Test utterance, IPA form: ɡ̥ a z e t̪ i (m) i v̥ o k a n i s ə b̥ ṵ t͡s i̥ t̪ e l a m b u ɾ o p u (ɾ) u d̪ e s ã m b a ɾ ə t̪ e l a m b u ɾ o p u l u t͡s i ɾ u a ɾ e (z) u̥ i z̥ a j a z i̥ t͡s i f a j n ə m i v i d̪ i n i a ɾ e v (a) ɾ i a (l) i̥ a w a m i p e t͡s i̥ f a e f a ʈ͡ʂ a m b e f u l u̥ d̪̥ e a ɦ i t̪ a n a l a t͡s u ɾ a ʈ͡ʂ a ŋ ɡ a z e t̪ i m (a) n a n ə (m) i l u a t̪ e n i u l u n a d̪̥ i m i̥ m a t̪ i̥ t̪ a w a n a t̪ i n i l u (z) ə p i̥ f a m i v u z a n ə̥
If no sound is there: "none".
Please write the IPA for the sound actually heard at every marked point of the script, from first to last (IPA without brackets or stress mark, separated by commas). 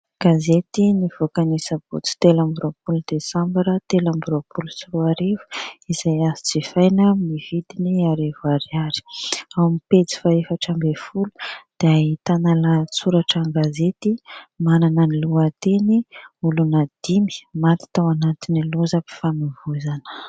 n, l, v, a, ɾ, a, n, z